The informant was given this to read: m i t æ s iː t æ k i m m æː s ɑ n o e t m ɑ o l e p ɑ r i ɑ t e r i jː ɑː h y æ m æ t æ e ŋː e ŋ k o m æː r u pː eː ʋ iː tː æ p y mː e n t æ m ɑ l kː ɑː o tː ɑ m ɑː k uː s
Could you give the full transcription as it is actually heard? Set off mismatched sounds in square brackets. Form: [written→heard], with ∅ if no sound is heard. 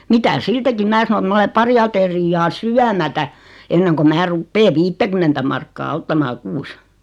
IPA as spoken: m i t æ s iː t æ k i m m æː s ɑ n o e t m ɑ o l e p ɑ r i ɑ t e r i jː ɑː [h→s] y æ m æ t æ e [ŋː→nː] e ŋ k o m æː r u pː eː ʋ iː tː æ [p→k] y mː e n t æ m ɑ [l→r] kː ɑː o tː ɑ m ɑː k uː s